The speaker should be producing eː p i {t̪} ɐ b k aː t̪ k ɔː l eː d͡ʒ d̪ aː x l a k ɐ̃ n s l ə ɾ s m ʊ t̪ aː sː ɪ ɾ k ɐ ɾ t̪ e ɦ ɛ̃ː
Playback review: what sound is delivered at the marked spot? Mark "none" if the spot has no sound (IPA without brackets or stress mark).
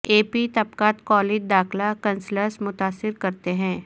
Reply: t̪